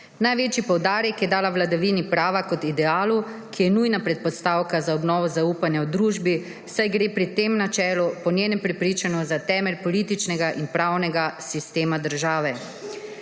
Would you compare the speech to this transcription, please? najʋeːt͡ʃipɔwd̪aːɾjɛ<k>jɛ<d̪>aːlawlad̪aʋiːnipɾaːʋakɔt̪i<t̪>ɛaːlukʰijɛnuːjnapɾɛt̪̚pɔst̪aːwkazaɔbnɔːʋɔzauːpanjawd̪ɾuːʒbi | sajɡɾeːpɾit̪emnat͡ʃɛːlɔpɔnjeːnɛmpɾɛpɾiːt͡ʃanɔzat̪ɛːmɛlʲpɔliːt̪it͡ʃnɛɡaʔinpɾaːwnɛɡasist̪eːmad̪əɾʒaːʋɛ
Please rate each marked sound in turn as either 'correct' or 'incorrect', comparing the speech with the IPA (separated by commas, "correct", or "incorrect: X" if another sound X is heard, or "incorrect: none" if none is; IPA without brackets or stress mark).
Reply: correct, correct, incorrect: d̪